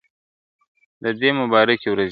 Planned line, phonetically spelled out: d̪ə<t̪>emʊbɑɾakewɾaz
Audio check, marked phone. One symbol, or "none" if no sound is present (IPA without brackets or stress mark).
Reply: d̪